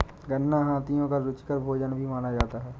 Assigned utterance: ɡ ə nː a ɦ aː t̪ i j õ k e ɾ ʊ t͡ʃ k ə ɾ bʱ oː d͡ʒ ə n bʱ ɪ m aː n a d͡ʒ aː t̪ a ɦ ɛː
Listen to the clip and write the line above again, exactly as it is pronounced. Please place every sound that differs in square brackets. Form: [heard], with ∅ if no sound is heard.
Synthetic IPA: ɡ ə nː a ɦ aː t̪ i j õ k [a] ɾ ʊ t͡ʃ k ə ɾ bʱ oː d͡ʒ ə n bʱ [i] m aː n a d͡ʒ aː t̪ a ɦ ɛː